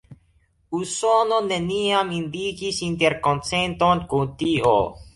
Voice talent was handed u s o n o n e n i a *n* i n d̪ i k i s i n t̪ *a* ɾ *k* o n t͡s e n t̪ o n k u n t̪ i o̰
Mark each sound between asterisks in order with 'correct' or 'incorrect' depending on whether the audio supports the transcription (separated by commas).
incorrect, incorrect, correct